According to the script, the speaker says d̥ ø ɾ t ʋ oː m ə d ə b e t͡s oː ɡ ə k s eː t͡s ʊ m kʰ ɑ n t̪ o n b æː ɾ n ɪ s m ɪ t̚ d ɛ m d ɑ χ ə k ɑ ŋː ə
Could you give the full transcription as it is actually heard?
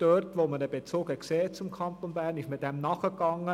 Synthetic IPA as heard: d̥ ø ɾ t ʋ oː m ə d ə b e t͡s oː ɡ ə k s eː t͡s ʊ m kʰ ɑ n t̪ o n b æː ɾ n ɪ ʃ m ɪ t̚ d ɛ m n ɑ χ ə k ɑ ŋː ə